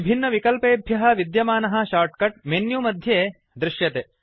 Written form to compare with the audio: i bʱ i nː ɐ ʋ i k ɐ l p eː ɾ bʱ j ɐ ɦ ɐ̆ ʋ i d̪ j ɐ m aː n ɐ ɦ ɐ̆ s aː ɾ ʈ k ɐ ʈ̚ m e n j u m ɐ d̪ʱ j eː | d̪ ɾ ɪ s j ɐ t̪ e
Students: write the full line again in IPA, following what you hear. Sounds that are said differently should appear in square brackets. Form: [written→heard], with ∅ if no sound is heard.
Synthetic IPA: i bʱ i nː ɐ ʋ i k ɐ l p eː [ɾ→∅] bʱ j ɐ ɦ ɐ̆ ʋ i d̪ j ɐ m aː n ɐ ɦ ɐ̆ [s→ʃ] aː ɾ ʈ k ɐ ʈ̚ m e n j u m ɐ d̪ʱ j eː | d̪ ɾ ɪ [s→ʃ] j ɐ t̪ e